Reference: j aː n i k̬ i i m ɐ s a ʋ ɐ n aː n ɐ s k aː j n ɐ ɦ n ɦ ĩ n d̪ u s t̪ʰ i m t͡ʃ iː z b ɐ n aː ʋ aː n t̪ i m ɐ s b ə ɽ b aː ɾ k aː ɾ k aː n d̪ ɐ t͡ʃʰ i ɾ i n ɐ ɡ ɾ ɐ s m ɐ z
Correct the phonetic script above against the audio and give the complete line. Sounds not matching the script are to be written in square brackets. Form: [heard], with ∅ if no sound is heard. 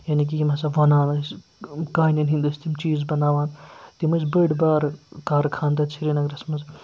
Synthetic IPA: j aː n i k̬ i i m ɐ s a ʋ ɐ n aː n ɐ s k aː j n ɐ [∅] n ɦ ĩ n d̪ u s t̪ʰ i m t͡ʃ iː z b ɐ n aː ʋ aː n t̪ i m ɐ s b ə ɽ b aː ɾ k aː ɾ [kʰ] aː n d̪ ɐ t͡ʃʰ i ɾ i n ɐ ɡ ɾ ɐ s m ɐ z